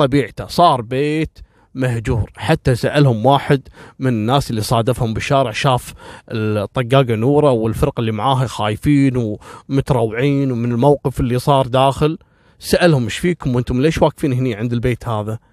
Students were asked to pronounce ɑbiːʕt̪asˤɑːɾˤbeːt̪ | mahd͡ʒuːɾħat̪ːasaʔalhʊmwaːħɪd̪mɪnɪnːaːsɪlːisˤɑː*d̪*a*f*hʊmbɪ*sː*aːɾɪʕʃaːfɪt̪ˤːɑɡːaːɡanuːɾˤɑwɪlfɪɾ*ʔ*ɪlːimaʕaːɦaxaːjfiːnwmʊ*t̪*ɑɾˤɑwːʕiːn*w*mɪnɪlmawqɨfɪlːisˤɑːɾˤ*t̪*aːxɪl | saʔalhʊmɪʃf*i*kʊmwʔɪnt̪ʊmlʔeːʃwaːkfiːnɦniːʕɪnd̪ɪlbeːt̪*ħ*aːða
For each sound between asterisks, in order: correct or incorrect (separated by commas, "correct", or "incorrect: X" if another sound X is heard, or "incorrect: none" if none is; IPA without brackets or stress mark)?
correct, correct, incorrect: ʃː, incorrect: q, correct, correct, incorrect: d̪, incorrect: iː, incorrect: h